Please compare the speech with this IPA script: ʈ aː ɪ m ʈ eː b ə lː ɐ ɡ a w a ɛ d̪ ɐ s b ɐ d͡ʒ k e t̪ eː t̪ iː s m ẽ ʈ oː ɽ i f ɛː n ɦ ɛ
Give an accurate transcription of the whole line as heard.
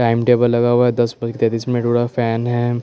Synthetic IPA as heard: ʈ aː ɪ m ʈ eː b ə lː ɐ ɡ a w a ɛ d̪ ɐ s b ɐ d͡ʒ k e t̪ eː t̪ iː s m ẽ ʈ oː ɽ a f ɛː n ɦ ɛ